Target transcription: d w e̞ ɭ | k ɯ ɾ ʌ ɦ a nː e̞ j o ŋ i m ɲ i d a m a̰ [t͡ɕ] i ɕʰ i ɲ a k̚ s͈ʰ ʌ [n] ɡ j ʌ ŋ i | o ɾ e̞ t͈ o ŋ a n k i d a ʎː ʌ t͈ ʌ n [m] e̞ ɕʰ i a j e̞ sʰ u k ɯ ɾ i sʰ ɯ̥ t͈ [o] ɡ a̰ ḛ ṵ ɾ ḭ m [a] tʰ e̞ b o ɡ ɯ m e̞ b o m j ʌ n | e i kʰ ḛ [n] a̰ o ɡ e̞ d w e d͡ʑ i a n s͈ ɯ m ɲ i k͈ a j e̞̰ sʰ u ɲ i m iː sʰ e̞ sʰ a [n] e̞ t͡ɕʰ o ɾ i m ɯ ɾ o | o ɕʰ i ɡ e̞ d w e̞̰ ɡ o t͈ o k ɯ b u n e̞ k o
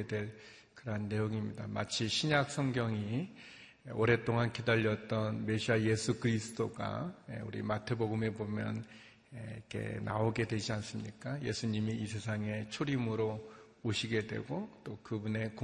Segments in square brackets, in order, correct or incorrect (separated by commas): incorrect, incorrect, correct, correct, correct, correct, incorrect